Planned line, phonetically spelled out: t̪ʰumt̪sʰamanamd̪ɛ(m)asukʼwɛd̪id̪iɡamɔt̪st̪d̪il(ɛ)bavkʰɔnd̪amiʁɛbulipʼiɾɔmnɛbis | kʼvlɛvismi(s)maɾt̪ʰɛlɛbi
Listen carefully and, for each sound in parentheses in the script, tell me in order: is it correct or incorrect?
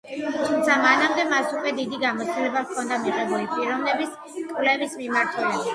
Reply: correct, correct, incorrect

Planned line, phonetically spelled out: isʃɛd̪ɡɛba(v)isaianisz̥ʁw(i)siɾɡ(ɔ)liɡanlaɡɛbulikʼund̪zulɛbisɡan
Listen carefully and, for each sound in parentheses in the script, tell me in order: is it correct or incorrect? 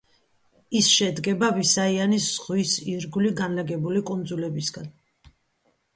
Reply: correct, correct, incorrect

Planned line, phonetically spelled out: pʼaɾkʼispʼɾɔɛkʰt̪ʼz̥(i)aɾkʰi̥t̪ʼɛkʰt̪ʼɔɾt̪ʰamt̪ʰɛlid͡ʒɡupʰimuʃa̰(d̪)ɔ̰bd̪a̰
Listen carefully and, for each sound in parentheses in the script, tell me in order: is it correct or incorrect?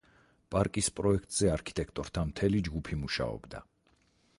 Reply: incorrect, incorrect

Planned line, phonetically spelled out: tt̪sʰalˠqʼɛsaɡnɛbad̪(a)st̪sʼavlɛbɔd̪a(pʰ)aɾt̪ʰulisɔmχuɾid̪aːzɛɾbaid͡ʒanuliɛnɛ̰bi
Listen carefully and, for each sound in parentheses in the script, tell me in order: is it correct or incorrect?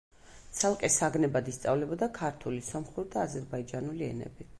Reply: incorrect, incorrect

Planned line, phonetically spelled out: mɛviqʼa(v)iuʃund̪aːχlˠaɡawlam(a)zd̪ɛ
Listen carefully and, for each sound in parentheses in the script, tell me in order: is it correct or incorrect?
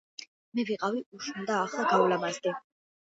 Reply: correct, correct

